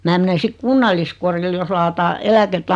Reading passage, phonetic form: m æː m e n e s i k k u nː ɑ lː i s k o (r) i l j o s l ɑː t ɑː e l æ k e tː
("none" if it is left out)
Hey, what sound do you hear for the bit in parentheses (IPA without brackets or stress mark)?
r